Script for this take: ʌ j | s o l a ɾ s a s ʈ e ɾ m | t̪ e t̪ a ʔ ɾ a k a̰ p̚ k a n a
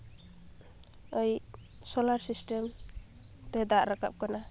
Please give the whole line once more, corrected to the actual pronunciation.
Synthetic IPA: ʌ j | s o l a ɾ s i s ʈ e m | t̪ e d̪ a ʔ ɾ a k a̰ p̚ k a n a